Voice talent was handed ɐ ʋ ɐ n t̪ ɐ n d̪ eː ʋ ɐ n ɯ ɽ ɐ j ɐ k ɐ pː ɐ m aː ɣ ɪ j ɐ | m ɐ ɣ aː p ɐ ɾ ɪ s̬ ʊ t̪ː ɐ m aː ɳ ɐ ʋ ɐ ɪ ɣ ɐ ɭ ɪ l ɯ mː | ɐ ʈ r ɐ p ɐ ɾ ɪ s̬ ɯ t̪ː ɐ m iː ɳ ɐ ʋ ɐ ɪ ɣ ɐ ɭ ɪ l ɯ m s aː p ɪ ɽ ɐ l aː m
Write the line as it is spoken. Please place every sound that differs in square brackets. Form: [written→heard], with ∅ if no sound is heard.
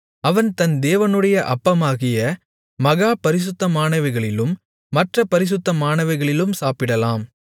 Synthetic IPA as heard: ɐ ʋ ɐ n t̪ ɐ n d̪ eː ʋ ɐ n ɯ ɽ ɐ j ɐ [k→ʔ] ɐ pː ɐ m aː ɣ ɪ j ɐ | m ɐ ɣ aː p ɐ ɾ ɪ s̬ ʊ t̪ː ɐ m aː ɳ ɐ ʋ ɐ ɪ ɣ ɐ ɭ ɪ l ɯ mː | ɐ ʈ r ɐ p ɐ ɾ ɪ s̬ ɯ t̪ː ɐ m [iː→aː] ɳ ɐ ʋ ɐ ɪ ɣ ɐ ɭ ɪ l ɯ m s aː p ɪ ɽ ɐ l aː m

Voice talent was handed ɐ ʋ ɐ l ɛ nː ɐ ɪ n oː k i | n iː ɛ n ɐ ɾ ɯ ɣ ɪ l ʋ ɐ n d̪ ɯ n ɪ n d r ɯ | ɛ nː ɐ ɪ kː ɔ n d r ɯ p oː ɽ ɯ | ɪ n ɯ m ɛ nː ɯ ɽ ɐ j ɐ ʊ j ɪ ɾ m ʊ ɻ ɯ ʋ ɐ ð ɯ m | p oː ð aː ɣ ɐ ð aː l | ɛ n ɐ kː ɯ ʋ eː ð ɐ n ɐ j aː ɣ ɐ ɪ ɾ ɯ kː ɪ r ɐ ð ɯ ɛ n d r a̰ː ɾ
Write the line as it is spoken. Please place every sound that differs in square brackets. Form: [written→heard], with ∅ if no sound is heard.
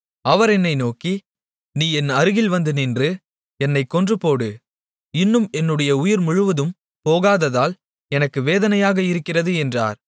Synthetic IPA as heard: ɐ ʋ ɐ [l→ɾ] ɛ nː ɐ ɪ n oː k i | n iː ɛ n ɐ ɾ ɯ ɣ ɪ l ʋ ɐ n d̪ ɯ n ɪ n d r ɯ | ɛ nː ɐ ɪ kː ɔ n d r ɯ p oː ɽ ɯ | ɪ [n→nː] ɯ m ɛ nː ɯ ɽ ɐ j ɐ ʊ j ɪ ɾ m ʊ ɻ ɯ ʋ ɐ ð ɯ m | p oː [ð→ɣ] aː [ɣ→ð] ɐ ð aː l | ɛ n ɐ kː ɯ ʋ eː ð ɐ n ɐ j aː ɣ ɐ ɪ ɾ ɯ kː ɪ r ɐ ð ɯ ɛ n d r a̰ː ɾ

